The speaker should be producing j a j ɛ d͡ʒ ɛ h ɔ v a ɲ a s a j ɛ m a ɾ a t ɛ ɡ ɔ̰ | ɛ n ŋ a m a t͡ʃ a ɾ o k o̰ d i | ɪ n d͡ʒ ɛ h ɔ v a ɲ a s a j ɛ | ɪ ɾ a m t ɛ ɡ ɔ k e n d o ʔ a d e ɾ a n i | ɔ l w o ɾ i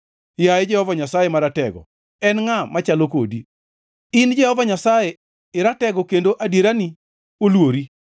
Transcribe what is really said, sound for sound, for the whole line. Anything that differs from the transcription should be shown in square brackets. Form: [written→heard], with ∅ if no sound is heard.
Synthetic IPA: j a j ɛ d͡ʒ ɛ h ɔ v a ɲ a s a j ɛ m a ɾ a t ɛ ɡ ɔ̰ | ɛ n ŋ a m a t͡ʃ a [ɾ→l] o k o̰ d i | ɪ n d͡ʒ ɛ h ɔ v a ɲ a s a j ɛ | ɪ ɾ a [m→∅] t ɛ ɡ ɔ k e n d o ʔ a d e ɾ a n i | [ɔ→o] l w o ɾ i